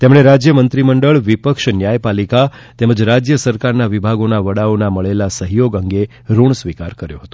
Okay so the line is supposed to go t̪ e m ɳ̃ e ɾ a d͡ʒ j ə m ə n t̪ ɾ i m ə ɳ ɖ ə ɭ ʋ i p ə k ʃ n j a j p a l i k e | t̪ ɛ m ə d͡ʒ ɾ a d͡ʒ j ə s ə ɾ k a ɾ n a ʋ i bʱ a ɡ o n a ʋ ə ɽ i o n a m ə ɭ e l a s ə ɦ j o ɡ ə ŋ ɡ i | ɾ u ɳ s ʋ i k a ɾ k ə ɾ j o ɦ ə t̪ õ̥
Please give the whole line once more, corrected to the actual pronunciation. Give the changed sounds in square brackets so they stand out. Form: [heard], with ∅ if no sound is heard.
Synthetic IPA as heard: t̪ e m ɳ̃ e ɾ a d͡ʒ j ə m ə n t̪ ɾ i m ə ɳ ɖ ə ɭ ʋ i p ə k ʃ n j a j p a l i k [a] | t̪ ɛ m ə d͡ʒ ɾ a d͡ʒ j ə s ə ɾ k a ɾ n a ʋ i bʱ a ɡ o n a ʋ ə ɽ [a] o n a m ə ɭ e l a s ə ɦ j o ɡ ə ŋ ɡ [e] | ɾ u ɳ s ʋ i k a ɾ k ə ɾ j o ɦ ə t̪ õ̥